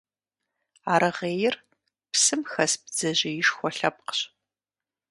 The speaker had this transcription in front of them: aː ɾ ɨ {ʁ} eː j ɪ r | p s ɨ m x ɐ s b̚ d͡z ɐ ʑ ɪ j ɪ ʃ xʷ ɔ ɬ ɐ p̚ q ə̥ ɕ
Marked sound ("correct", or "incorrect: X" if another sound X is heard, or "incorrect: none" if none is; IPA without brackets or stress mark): correct